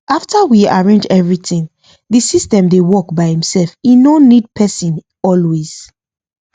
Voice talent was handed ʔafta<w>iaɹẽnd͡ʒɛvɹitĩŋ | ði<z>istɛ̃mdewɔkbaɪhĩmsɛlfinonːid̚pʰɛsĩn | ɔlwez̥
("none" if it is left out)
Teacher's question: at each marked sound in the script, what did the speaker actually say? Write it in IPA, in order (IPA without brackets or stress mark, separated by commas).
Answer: w, s